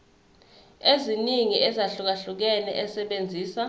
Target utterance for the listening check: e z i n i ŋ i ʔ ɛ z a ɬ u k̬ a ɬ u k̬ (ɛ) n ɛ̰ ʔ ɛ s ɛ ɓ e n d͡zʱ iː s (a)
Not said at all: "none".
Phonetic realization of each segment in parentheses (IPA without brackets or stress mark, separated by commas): ɛ, a